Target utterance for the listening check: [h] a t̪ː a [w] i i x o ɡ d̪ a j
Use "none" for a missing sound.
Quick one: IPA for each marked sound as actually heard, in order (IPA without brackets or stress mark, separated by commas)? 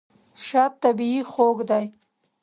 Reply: ʃ, b